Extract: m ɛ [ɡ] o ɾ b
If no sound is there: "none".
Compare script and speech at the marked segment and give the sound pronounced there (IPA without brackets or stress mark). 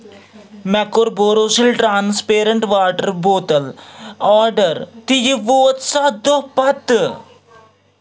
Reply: k